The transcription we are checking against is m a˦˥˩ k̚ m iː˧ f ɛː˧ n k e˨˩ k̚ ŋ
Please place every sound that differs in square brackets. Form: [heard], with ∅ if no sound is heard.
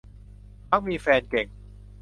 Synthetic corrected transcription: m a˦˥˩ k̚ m iː˧ f ɛː˧ n k e˨˩ [∅] ŋ